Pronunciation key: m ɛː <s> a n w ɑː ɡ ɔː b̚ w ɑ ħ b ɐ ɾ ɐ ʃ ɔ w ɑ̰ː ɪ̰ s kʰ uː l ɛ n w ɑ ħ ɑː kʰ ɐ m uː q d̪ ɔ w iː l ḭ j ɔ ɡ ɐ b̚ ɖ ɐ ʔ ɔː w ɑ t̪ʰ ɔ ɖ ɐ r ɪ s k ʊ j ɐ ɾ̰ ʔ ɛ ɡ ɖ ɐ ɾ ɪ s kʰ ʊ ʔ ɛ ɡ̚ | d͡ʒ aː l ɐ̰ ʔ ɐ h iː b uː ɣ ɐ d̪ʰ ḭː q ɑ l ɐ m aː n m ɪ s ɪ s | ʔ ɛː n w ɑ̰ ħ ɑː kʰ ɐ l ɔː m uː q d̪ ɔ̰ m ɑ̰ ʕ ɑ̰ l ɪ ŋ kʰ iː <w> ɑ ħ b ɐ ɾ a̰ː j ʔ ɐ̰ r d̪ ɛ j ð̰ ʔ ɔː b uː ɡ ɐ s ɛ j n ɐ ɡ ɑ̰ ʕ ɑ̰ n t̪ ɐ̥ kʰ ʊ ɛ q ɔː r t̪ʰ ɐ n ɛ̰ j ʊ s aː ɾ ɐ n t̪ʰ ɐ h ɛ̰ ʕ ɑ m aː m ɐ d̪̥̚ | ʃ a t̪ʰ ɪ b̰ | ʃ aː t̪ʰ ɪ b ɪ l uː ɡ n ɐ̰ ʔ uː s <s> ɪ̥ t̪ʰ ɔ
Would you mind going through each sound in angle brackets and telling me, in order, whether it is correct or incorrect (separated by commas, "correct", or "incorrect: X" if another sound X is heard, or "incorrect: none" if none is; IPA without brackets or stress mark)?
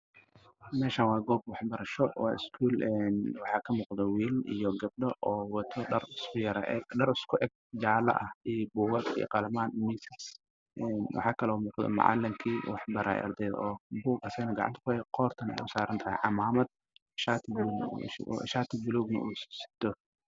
incorrect: ʃ, correct, correct